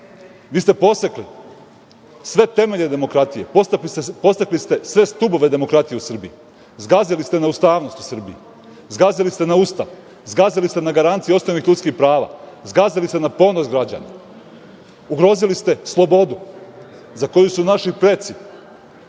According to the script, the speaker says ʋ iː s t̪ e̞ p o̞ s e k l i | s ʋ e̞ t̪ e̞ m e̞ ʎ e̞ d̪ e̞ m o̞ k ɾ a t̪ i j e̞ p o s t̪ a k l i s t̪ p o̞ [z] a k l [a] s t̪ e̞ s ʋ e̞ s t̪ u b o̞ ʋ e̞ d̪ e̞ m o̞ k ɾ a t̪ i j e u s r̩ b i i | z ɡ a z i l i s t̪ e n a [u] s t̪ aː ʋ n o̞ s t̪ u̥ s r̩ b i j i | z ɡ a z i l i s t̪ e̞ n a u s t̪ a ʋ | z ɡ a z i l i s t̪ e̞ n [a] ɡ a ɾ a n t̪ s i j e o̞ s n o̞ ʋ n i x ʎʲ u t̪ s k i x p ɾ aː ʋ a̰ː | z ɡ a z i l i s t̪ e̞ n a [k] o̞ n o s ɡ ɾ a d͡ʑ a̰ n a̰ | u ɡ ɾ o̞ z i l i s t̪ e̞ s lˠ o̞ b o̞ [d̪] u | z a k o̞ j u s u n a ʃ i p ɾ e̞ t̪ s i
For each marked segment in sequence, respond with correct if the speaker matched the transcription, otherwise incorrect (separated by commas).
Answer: incorrect, incorrect, correct, correct, incorrect, correct